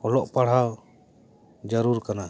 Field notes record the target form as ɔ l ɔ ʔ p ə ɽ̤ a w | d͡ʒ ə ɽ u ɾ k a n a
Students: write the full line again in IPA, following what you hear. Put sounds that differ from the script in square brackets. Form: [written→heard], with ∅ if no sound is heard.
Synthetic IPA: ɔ l ɔ ʔ p [ə→a] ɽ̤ a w | d͡ʒ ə [ɽ→ɾ] u ɾ k a n a